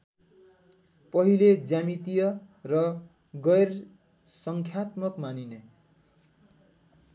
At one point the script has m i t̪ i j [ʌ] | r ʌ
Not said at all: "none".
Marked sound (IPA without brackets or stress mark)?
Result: ʌ